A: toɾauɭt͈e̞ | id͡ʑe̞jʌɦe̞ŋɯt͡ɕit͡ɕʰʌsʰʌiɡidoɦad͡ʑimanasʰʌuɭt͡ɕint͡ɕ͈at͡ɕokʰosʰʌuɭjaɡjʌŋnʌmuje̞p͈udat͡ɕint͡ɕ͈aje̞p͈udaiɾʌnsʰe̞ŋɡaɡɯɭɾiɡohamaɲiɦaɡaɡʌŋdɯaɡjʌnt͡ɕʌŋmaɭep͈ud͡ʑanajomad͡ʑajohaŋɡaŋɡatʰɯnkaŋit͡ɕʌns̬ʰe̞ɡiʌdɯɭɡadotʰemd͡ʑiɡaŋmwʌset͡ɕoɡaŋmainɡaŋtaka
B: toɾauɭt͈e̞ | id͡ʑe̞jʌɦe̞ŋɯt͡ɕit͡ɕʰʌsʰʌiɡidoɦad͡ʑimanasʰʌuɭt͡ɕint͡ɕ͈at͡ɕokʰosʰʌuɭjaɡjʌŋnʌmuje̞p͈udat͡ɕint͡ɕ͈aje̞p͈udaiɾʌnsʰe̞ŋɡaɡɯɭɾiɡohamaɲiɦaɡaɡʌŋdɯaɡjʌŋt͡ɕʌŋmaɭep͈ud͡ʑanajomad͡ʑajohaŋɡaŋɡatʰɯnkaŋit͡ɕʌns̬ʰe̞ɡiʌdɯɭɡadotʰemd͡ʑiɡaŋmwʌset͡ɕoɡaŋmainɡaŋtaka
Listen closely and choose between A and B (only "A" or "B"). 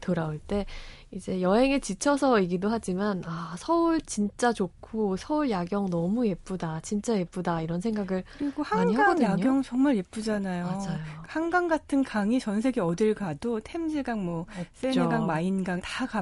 B